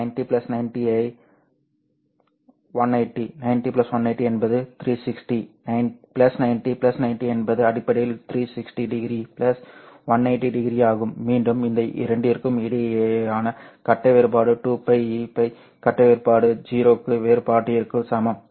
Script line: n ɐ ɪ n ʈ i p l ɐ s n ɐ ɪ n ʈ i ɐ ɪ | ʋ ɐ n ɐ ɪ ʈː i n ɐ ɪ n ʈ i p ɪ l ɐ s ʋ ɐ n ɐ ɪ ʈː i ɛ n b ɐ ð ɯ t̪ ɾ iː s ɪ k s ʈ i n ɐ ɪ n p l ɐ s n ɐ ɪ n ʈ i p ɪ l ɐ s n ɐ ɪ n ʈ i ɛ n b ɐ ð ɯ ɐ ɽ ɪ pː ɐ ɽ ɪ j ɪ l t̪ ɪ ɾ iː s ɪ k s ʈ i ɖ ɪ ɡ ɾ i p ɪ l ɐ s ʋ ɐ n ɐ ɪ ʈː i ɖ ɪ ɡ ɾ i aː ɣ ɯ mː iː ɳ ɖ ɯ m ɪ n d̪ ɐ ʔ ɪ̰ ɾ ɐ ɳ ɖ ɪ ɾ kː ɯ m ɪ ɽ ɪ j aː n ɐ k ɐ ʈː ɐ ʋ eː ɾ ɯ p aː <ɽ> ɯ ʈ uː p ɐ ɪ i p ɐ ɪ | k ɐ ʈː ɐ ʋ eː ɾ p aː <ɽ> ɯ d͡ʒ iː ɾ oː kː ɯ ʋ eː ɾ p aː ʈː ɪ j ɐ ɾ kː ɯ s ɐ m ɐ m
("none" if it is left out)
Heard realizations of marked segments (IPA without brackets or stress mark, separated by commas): ɽ, ɽ